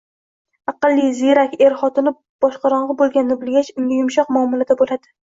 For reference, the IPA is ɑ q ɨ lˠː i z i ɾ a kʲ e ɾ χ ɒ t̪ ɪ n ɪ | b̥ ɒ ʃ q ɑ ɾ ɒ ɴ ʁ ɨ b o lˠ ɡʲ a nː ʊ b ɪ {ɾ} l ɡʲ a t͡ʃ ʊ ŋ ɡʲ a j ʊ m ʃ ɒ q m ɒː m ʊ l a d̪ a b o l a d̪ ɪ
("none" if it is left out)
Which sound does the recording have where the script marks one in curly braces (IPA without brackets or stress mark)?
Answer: none